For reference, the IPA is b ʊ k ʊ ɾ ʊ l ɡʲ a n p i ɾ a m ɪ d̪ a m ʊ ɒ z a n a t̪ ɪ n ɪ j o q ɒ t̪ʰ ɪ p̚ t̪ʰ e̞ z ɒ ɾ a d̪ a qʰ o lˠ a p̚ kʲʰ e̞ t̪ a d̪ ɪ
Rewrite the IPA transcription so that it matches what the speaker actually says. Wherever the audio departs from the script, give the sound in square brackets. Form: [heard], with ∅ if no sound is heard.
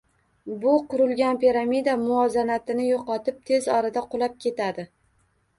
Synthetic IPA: b ʊ [q] ʊ ɾ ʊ l ɡʲ a n p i ɾ a m [i] d̪ a m ʊ ɒ z a n a t̪ ɪ n ɪ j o q ɒ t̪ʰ ɪ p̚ t̪ʰ e̞ z ɒ ɾ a d̪ a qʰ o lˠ a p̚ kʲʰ e̞ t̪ a d̪ ɪ